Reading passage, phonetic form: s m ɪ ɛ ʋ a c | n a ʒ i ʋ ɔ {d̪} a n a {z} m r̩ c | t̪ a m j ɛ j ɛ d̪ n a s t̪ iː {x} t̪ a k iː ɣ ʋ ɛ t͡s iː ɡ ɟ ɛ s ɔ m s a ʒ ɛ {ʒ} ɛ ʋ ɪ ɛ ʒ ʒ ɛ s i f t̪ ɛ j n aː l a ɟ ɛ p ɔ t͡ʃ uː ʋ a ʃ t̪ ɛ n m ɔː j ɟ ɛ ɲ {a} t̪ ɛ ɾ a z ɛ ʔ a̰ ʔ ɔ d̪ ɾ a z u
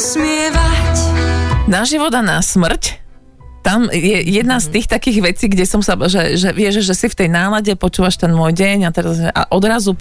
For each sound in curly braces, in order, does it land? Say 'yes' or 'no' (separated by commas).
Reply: yes, no, yes, yes, yes